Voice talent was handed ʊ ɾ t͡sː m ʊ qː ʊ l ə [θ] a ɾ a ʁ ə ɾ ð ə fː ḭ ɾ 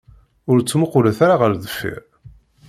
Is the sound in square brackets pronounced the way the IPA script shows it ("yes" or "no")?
yes